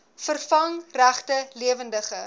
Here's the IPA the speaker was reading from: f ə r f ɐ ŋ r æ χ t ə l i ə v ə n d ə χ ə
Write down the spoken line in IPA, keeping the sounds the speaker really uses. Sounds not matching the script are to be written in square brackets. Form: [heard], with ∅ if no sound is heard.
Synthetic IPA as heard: f ə r f ɐ ŋ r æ χ t ə l i ə v ə n d ə χ ə

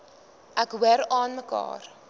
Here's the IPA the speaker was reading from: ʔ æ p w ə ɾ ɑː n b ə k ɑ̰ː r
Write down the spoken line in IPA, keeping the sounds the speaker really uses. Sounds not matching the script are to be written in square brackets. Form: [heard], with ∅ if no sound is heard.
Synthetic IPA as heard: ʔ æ [k] w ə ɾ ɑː n [m] ə k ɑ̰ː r

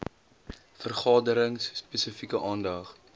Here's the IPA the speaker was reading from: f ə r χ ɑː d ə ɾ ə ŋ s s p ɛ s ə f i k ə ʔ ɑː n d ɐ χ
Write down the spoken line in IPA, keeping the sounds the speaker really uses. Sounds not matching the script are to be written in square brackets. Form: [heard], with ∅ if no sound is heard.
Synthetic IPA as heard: f ə r χ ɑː d ə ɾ ə ŋ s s p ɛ s ə f i k ə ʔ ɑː n d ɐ χ

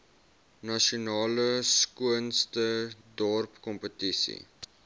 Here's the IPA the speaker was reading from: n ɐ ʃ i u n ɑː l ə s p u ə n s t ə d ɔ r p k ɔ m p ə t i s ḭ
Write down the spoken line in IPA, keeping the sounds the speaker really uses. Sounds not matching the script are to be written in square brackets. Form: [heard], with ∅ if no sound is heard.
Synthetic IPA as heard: n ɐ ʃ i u n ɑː l ə s [k] u ə n s t ə d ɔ r p k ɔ m p ə t i s ḭ

